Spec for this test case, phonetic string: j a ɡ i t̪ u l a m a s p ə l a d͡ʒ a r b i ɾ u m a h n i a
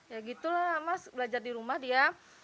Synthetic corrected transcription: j a ɡ i t̪ u l a m a s b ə l a d͡ʒ a r d i ɾ u m a h d i a